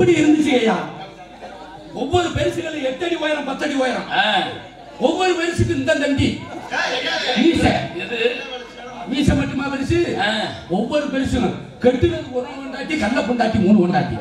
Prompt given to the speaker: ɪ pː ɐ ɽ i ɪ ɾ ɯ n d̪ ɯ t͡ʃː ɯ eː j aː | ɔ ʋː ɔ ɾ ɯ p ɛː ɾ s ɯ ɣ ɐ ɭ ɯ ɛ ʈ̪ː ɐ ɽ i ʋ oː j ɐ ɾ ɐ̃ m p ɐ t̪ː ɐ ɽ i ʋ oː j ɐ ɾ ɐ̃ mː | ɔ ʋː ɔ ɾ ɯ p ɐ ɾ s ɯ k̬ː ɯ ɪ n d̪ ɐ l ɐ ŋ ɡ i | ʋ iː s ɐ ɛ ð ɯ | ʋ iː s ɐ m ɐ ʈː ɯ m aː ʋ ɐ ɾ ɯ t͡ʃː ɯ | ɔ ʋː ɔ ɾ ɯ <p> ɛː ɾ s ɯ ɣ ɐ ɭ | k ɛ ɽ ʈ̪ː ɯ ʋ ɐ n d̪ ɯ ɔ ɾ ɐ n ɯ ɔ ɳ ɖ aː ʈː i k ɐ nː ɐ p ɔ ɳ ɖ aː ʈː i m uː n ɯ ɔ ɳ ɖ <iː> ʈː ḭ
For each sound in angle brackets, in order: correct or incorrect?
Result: correct, incorrect

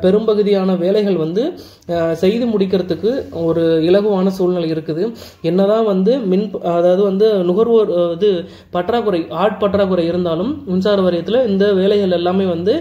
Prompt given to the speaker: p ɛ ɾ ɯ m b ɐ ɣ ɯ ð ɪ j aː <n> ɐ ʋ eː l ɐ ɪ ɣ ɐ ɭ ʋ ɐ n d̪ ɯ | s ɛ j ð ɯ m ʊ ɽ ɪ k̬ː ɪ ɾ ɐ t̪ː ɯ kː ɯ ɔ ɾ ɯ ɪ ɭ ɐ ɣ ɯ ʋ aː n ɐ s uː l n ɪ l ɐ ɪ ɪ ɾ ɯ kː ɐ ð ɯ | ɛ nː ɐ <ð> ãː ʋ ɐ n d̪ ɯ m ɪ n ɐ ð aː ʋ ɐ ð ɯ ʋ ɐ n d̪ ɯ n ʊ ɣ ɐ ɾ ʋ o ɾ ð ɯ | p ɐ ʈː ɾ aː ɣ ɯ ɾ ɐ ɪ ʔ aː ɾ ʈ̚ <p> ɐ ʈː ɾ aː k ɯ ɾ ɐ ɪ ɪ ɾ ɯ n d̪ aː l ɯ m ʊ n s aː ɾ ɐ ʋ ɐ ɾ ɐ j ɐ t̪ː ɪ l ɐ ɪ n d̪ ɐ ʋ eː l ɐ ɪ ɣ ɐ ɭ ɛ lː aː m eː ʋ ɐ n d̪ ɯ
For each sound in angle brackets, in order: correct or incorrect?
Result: correct, correct, correct

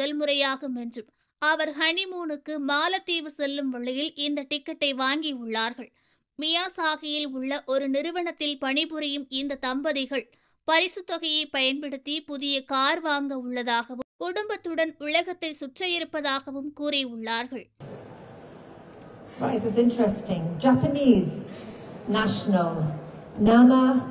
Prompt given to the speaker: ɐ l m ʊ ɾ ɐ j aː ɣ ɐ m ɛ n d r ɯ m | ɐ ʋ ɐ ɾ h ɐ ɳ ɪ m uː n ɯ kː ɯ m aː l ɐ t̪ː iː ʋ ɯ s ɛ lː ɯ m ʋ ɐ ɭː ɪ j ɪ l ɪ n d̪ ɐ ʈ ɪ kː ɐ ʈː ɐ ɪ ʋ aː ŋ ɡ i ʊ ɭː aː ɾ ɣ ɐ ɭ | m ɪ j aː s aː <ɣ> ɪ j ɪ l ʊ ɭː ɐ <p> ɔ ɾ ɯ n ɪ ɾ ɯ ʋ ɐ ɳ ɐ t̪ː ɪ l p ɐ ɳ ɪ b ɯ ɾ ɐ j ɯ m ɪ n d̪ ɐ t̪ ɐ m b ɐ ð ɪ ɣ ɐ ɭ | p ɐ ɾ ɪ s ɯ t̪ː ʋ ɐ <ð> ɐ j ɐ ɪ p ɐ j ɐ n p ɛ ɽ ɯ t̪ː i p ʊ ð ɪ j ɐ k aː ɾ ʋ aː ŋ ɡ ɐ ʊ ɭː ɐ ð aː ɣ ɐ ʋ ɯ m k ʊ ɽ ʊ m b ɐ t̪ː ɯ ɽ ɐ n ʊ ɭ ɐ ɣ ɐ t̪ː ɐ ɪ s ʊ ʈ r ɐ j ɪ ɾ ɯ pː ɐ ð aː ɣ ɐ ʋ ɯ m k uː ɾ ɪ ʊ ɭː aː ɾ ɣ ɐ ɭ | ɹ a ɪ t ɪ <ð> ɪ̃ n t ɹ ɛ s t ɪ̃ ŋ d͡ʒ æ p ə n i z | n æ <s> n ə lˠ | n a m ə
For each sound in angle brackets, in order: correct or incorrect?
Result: correct, incorrect, incorrect, incorrect, incorrect

